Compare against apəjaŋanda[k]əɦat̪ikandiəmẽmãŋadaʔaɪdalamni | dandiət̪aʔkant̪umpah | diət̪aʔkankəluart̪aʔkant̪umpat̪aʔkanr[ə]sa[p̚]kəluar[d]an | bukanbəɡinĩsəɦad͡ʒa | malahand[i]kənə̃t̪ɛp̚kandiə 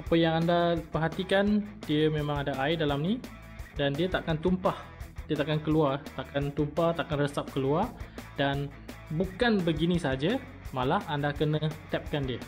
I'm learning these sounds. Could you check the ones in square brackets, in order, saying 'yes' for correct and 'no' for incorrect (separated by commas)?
no, yes, yes, yes, no